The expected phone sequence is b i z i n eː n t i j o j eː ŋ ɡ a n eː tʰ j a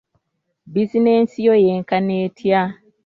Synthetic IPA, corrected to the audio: b i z i n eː n s i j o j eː ŋ k a n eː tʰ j a